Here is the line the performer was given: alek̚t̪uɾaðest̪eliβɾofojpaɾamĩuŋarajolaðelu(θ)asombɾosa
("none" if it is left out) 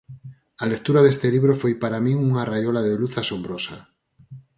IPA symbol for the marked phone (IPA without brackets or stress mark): θ